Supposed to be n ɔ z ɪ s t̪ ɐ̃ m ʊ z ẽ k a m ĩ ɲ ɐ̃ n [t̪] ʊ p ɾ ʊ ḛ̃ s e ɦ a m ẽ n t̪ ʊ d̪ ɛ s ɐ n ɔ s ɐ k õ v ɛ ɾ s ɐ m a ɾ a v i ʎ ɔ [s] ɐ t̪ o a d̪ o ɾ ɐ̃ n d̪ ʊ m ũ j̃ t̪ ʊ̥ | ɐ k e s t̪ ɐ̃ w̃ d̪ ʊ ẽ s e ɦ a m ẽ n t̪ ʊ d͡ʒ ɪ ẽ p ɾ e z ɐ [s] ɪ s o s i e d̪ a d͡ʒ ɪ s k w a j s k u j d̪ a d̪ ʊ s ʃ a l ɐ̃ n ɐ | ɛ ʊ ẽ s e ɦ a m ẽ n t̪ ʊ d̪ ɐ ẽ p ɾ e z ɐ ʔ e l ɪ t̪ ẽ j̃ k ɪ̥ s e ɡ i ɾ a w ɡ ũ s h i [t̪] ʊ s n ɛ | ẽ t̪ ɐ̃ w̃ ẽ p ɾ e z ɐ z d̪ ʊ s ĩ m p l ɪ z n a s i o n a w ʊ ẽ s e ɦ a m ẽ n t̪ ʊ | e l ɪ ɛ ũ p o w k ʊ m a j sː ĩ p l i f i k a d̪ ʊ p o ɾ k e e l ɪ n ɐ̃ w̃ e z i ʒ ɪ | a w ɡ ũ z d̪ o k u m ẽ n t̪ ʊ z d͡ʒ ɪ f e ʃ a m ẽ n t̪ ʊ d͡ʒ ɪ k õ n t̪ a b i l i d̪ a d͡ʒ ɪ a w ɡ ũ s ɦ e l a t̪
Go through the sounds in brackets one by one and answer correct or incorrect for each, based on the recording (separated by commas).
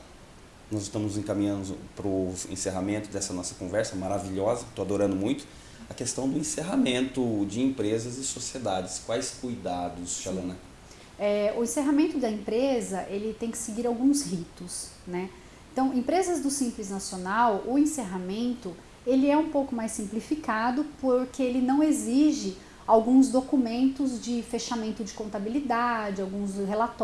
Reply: incorrect, incorrect, incorrect, correct